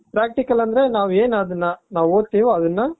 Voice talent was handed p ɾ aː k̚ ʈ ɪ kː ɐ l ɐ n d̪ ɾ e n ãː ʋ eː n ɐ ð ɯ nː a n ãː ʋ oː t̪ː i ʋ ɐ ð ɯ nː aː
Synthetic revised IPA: p ɾ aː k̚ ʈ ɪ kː ɐ l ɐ n d̪ ɾ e n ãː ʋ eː n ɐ ð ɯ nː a n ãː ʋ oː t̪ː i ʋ ɐ ð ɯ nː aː